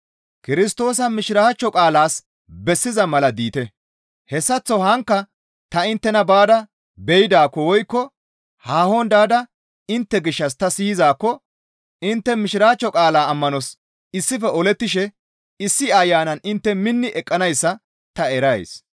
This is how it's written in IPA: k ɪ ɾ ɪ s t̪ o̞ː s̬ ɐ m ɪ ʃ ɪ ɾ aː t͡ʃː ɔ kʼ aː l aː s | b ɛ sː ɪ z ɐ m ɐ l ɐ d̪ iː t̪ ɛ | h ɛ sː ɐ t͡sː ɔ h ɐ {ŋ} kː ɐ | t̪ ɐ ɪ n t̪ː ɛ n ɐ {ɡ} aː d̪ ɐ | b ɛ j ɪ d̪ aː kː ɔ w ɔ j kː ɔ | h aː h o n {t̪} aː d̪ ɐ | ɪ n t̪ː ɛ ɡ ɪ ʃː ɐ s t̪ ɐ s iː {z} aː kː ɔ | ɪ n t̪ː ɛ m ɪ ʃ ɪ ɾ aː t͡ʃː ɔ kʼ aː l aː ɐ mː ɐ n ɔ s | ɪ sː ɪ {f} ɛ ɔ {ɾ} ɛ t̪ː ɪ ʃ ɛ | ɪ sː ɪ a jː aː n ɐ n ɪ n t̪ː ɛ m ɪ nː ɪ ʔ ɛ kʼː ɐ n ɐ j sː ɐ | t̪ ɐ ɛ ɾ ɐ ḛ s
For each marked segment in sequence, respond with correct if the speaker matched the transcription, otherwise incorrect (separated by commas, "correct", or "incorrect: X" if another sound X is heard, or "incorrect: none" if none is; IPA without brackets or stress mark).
correct, incorrect: b, incorrect: d̪, correct, correct, incorrect: l